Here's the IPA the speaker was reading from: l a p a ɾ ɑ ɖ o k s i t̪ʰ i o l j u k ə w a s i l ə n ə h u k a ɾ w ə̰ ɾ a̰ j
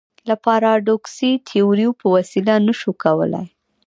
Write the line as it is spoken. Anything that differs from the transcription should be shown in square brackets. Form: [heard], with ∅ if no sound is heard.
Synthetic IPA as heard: l a p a ɾ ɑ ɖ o k s i t̪ʰ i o [ɾ] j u [p] ə w a s i l [a] n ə [ʃ] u k a [∅] w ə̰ [l] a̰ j